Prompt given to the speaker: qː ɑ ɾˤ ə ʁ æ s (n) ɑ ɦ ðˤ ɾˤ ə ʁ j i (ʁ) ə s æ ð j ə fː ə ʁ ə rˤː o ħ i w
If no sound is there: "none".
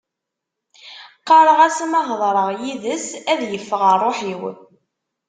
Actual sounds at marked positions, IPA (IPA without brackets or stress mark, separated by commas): m, ð